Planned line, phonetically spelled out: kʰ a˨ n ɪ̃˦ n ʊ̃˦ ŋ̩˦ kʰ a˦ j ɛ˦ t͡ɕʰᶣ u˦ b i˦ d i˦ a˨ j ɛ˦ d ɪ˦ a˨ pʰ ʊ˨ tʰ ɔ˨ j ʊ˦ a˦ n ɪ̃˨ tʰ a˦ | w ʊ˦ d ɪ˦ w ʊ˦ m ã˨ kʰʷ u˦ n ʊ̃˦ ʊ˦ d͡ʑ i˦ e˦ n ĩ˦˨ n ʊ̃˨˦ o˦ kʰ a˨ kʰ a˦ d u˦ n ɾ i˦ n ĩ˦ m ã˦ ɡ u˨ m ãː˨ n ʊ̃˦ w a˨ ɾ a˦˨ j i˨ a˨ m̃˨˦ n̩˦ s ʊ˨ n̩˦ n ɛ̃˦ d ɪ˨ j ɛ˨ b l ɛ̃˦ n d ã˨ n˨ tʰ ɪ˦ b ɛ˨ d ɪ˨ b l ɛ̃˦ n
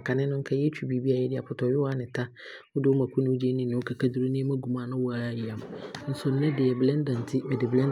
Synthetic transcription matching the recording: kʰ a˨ n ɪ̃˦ n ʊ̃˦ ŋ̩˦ kʰ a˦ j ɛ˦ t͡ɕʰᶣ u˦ b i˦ b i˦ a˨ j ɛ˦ d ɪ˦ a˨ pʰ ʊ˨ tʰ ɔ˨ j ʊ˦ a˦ n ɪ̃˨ tʰ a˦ | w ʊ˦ d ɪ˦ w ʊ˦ m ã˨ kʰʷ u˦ n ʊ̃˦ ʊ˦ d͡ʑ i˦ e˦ n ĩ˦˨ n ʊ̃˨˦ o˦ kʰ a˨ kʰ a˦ d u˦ ɾ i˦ n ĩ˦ m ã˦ ɡ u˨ m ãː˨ n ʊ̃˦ w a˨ ɾ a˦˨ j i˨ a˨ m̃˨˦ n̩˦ s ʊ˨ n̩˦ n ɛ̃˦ d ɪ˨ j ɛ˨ b l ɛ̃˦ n d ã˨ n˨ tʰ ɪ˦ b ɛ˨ d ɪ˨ b l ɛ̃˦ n